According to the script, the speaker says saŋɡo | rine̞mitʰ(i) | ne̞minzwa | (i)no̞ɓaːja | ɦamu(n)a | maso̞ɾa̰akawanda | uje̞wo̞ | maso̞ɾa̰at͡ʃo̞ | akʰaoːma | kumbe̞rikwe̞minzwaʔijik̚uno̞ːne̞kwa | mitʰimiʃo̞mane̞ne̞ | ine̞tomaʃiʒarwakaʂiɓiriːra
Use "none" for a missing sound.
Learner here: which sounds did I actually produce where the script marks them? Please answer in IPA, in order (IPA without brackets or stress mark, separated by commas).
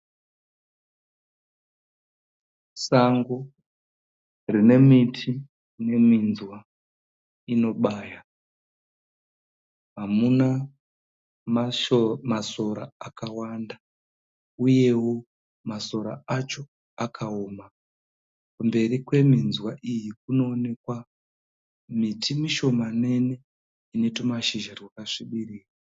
i, i, n